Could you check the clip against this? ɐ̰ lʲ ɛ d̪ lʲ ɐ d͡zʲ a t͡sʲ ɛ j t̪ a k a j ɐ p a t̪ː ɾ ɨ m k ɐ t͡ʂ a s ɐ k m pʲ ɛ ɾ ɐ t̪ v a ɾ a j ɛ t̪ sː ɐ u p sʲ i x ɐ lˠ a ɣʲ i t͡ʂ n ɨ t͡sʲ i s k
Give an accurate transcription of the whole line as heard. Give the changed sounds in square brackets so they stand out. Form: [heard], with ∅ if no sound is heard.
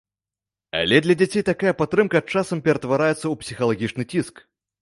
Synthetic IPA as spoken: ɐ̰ lʲ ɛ d̪ lʲ ɐ d͡zʲ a t͡sʲ [e] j t̪ a k a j ɐ p a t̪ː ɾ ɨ m k ɐ t͡ʂ a s ɐ [∅] m pʲ ɛ ɾ ɐ t̪ v a ɾ a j ɛ t̪ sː ɐ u p sʲ i x ɐ lˠ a ɣʲ i t͡ʂ n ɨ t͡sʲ i s k